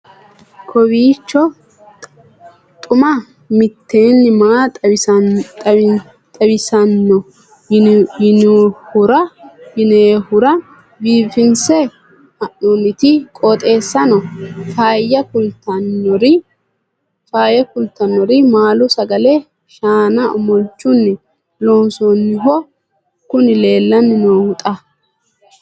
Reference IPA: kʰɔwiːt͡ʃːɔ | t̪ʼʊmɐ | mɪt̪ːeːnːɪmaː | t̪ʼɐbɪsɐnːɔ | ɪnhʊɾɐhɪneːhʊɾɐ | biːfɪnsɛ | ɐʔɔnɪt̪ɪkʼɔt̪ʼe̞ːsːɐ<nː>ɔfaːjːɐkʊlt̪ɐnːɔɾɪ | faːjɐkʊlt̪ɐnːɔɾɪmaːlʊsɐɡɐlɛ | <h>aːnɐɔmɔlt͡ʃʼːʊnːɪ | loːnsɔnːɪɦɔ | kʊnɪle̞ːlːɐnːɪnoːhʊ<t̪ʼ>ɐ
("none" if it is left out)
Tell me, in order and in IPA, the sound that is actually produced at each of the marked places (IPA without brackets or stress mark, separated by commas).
n, ʃ, t̪ʼ